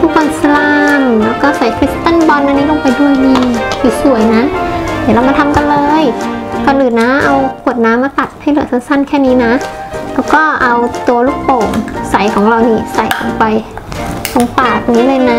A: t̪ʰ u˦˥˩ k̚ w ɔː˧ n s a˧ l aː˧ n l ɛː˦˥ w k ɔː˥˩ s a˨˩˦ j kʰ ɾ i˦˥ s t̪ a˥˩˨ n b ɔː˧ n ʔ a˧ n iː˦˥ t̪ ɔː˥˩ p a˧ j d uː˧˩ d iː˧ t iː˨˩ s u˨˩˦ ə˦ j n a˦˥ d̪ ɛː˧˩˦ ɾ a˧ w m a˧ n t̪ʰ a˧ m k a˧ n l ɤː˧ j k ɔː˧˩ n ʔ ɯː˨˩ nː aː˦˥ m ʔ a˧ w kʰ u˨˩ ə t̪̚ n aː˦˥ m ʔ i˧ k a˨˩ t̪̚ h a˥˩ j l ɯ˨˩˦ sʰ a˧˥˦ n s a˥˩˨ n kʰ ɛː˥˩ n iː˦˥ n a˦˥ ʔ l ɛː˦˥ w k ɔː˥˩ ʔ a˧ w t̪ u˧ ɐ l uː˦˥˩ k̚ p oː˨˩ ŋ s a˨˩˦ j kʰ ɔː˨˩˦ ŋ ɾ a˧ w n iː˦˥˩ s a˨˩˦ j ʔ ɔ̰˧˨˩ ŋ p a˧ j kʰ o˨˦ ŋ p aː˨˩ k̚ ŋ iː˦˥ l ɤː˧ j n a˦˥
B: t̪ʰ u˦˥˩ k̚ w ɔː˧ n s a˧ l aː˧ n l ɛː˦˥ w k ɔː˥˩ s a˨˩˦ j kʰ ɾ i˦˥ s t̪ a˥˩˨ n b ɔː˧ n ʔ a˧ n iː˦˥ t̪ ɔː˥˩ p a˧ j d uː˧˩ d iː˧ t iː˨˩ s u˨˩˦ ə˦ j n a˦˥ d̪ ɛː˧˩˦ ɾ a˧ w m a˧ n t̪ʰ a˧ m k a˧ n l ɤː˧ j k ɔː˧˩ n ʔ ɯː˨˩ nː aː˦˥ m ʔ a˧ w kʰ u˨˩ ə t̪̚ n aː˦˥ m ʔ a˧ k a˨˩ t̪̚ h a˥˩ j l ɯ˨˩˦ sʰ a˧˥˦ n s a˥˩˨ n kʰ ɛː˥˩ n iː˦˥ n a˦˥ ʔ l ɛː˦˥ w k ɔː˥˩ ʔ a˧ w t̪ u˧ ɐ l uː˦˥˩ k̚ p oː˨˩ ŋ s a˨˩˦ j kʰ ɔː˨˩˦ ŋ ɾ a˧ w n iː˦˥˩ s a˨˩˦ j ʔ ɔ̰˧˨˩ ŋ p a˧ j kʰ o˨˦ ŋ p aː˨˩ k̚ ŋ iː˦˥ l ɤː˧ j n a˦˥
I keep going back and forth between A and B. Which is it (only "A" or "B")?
B